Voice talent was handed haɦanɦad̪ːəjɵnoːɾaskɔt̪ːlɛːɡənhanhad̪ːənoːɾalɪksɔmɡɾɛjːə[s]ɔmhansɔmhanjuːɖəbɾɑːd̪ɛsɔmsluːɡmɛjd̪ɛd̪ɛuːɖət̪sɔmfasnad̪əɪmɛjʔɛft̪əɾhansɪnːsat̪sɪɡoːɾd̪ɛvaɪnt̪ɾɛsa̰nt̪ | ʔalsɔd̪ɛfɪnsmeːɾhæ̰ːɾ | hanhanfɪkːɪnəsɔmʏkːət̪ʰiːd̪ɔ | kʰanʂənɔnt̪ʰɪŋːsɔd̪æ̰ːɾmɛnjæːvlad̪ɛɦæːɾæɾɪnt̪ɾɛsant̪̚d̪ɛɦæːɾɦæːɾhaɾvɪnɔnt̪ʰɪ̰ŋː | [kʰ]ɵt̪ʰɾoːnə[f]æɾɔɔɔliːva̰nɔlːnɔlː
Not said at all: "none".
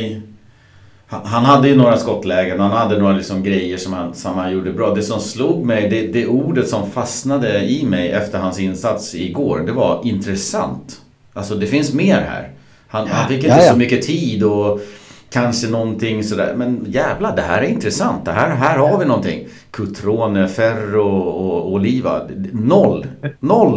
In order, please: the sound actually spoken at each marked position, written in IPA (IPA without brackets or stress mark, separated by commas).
ʂ, kʰ, f